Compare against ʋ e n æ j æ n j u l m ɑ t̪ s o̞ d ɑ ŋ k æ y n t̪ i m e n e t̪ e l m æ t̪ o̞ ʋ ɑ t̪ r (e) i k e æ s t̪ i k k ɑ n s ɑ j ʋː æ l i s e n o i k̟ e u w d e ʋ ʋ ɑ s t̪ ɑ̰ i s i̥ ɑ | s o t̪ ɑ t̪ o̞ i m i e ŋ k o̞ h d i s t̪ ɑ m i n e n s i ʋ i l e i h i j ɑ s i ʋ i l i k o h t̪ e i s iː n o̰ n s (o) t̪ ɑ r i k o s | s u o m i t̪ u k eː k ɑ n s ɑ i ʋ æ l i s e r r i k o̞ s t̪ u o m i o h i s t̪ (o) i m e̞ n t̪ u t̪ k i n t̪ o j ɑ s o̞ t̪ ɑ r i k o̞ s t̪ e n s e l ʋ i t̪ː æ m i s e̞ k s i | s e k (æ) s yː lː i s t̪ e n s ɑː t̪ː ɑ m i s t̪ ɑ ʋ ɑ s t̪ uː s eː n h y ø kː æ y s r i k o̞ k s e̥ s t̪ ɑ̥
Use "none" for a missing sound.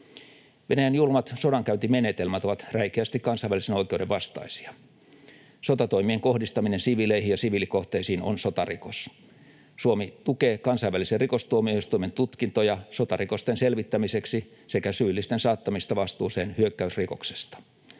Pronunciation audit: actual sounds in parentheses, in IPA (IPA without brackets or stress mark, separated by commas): æ, o, u, æ